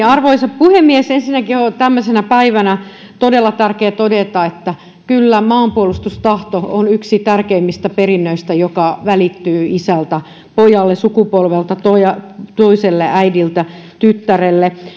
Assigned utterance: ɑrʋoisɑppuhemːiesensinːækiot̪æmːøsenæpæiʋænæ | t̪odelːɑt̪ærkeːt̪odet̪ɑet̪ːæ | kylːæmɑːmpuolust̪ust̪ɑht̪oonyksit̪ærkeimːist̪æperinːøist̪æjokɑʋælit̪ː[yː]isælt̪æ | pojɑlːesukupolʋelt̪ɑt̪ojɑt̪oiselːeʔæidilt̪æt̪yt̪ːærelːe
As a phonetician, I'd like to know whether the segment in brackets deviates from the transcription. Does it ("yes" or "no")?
no